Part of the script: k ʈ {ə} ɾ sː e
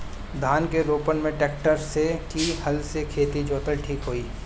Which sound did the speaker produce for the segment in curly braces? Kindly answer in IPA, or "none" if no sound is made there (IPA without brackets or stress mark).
ə